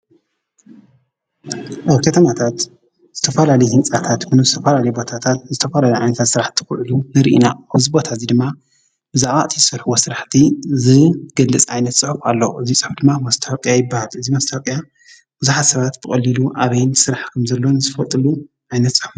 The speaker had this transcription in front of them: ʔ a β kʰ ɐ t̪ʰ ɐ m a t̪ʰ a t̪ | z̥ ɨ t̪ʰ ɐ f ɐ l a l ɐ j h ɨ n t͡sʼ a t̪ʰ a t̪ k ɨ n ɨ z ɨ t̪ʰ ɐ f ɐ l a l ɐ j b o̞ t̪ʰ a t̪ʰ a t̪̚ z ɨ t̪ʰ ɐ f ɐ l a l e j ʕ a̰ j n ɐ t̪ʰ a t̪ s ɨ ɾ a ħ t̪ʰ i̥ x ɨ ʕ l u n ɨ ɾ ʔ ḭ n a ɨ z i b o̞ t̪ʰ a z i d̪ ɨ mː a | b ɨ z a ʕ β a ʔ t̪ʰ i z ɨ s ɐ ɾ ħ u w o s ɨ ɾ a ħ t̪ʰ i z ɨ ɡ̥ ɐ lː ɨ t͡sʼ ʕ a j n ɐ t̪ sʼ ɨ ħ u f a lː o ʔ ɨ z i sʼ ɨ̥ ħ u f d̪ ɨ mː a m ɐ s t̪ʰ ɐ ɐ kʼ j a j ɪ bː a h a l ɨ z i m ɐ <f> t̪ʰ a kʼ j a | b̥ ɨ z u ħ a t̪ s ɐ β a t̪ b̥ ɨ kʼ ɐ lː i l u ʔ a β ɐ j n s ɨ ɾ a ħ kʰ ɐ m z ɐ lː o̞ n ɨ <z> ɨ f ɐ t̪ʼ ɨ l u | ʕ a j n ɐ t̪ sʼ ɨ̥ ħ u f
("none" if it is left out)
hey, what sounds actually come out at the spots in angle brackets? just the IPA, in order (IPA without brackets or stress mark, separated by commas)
s, z